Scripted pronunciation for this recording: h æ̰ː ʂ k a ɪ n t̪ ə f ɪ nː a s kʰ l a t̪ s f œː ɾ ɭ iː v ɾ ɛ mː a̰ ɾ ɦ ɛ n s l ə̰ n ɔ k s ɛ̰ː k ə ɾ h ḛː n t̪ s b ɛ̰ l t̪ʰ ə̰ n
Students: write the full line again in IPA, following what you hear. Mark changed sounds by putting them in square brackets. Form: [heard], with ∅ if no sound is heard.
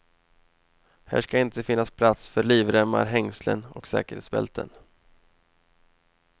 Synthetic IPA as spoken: h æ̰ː ʂ k a ɪ n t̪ ə f ɪ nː a s [pʰ] l a t̪ s f [œ] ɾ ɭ iː v ɾ ɛ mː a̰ ɾ ɦ ɛ [ŋ] s l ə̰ n ɔ k s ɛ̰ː k ə ɾ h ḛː [∅] t̪ s b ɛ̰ l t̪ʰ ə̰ n